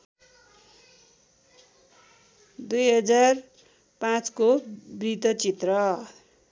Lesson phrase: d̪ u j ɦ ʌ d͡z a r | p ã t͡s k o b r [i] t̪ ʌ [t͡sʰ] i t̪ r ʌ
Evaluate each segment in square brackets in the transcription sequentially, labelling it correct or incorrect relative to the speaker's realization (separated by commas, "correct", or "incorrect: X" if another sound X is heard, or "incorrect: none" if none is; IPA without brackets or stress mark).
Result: correct, incorrect: t͡s